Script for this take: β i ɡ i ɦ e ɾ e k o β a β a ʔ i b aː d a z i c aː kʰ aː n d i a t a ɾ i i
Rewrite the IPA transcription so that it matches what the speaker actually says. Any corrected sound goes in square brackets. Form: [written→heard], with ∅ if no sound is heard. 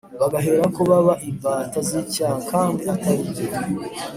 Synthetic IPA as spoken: β [i→a] ɡ [i→a] ɦ e ɾ [e→a] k o β a β a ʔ i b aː [d→t] a z i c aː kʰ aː n d i a t a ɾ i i